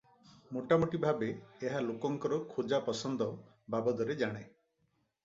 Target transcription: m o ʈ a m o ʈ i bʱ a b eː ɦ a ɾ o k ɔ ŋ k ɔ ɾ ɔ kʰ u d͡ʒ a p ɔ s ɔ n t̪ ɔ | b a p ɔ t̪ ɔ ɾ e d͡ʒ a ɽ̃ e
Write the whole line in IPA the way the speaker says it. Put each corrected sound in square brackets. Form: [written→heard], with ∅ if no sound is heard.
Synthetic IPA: m o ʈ a m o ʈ i bʱ a b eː ɦ a [ɾ→l] o k ɔ ŋ k ɔ ɾ ɔ kʰ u d͡ʒ a p ɔ s ɔ n [t̪→d̪] ɔ | b a [p→b] ɔ [t̪→d̪] ɔ ɾ e d͡ʒ a ɽ̃ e